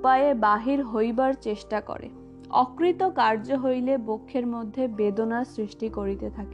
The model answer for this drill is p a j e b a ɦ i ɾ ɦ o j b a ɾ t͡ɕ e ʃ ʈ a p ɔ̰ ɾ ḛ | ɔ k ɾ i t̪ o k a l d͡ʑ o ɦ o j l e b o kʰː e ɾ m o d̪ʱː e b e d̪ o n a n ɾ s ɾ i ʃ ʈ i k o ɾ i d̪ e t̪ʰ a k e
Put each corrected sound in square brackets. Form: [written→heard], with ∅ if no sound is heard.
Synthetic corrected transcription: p a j e b a ɦ i ɾ ɦ o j b a ɾ t͡ɕ e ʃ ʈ a [p→k] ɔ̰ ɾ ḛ | ɔ k ɾ i t̪ o k a [l→ɾ] d͡ʑ o ɦ o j l e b o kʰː e ɾ m o d̪ʱː e b e d̪ o n a [n→∅] ɾ s ɾ i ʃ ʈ i k o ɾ i [d̪→t̪] e t̪ʰ a k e